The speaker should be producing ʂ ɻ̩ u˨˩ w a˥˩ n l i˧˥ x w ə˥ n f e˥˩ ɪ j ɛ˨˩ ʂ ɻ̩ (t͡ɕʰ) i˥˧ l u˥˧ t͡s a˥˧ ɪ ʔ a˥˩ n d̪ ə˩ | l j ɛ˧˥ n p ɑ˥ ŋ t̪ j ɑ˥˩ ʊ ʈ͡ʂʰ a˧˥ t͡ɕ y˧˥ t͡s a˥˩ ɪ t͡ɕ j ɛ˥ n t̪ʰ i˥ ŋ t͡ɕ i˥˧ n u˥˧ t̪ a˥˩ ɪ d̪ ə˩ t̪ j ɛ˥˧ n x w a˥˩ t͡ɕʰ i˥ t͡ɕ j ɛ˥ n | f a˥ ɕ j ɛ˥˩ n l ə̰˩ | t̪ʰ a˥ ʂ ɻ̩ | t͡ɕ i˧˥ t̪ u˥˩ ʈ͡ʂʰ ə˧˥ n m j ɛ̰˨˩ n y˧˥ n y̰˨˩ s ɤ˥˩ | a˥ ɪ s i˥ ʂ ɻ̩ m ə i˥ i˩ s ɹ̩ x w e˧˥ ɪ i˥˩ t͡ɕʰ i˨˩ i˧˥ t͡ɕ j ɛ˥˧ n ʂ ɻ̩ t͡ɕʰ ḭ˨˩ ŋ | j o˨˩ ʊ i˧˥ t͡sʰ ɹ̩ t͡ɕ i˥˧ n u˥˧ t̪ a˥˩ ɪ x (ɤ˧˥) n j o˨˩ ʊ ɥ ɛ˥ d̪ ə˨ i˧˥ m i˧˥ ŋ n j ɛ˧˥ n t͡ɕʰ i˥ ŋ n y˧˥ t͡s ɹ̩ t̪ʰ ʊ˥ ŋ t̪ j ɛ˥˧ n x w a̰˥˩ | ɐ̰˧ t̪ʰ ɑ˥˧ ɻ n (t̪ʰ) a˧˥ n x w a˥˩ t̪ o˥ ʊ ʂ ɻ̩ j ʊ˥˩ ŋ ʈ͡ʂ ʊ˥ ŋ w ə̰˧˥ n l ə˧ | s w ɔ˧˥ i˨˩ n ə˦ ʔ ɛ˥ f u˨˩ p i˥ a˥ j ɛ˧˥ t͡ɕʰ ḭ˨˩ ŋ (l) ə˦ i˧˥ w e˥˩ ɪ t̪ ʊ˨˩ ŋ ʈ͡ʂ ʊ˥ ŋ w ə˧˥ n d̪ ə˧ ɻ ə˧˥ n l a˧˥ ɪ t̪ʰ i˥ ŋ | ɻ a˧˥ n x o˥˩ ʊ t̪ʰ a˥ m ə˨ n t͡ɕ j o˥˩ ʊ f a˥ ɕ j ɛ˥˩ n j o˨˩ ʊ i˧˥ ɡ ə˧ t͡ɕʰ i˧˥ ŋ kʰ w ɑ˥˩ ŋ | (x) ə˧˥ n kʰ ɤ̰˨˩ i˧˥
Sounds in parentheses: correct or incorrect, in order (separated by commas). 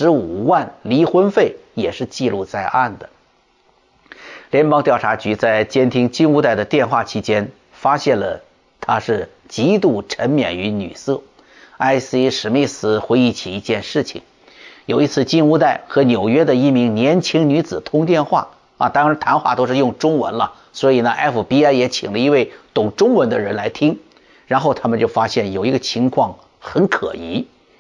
incorrect, correct, correct, correct, correct